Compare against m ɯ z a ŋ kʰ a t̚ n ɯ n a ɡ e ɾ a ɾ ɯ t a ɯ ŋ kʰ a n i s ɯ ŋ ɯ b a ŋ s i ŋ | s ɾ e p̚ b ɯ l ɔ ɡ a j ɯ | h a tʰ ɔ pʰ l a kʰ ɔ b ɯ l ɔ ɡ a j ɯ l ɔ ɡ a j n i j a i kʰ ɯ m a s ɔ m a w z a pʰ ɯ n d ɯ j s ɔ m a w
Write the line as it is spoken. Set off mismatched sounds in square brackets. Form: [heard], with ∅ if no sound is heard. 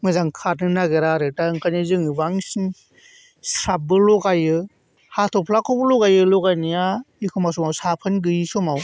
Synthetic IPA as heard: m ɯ z a ŋ kʰ a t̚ n ɯ n a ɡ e ɾ a ɾ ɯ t a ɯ ŋ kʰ a n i [z] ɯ ŋ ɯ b a ŋ s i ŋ | s ɾ [a] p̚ b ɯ l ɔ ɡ a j ɯ | h a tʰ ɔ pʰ l a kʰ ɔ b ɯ l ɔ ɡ a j ɯ l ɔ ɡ a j n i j a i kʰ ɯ m a s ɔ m a w [s] a pʰ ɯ n [ɡ] ɯ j s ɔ m a w